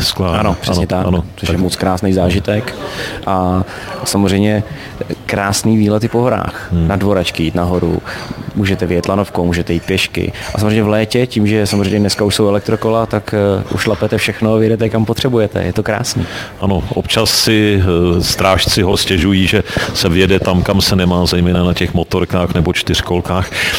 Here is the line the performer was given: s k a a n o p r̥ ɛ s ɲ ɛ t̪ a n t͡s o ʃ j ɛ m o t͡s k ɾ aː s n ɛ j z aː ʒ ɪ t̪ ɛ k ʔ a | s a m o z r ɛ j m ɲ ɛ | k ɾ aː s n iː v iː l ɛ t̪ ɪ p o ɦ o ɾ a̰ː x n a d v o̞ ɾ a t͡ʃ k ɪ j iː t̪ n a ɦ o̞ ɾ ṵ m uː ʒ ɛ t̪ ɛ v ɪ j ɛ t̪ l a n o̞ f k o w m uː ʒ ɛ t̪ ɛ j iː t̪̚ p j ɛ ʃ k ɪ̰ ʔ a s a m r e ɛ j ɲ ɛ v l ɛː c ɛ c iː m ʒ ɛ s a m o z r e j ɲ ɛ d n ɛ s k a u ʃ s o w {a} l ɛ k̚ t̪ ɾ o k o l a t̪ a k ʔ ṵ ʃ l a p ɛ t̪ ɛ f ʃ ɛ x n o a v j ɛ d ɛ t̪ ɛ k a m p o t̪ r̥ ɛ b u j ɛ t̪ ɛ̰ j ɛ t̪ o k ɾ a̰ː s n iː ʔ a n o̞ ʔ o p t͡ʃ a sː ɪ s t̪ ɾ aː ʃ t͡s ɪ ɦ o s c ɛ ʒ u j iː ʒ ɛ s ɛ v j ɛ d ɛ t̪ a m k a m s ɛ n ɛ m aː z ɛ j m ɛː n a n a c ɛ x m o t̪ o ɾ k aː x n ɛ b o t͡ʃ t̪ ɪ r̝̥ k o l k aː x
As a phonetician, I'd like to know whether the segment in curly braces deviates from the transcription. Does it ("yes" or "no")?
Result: yes